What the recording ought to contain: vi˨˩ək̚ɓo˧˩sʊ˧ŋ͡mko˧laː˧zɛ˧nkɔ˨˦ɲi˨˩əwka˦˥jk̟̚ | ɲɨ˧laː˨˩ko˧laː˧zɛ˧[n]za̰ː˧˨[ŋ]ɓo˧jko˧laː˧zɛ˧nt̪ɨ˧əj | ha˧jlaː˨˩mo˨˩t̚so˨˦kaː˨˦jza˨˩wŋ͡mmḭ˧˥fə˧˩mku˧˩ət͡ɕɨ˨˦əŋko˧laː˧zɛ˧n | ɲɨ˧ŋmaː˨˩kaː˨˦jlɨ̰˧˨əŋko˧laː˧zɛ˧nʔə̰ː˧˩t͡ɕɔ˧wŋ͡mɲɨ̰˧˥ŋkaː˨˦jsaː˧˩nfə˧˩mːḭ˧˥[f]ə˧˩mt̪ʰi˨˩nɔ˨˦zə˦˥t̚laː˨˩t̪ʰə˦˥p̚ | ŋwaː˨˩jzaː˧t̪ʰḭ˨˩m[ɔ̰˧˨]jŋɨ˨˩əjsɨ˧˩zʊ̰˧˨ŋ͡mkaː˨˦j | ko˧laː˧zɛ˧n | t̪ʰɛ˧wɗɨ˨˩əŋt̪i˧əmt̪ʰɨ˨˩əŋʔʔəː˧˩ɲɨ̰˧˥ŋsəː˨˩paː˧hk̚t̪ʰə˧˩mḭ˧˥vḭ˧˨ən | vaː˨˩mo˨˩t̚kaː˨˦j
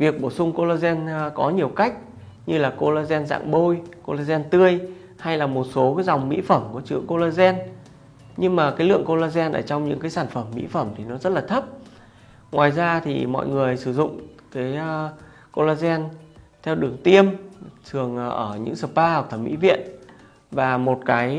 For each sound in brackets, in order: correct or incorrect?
correct, correct, correct, correct

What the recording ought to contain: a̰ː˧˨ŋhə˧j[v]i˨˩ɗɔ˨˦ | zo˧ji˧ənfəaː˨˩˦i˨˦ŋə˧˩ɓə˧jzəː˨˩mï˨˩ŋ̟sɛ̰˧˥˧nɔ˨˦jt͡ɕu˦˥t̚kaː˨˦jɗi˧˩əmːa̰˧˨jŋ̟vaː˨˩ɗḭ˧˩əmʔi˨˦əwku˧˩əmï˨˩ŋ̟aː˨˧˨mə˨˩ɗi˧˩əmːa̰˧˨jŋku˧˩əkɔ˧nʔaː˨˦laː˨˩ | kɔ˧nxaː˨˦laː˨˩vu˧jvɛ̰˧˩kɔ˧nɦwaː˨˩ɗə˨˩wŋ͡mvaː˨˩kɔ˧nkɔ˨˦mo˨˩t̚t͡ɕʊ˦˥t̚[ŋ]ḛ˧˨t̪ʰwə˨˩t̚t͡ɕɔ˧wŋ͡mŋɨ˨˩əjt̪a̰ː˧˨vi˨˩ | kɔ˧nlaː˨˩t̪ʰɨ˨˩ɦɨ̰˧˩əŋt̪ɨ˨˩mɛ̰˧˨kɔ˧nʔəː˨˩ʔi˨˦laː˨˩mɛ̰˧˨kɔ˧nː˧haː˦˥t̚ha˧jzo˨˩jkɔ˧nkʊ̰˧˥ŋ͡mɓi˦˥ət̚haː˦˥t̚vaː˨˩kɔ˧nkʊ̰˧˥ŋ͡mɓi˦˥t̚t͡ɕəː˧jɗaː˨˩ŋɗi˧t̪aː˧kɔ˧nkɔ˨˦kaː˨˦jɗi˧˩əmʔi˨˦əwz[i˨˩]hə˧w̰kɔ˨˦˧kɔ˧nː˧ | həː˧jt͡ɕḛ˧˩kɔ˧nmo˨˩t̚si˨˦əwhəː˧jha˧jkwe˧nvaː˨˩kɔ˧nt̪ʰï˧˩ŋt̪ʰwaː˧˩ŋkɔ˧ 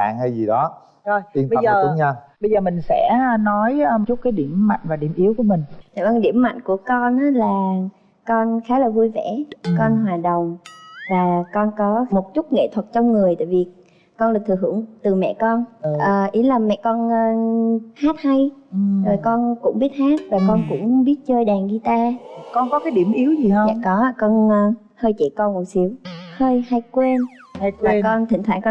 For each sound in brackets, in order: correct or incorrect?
incorrect: z, correct, correct

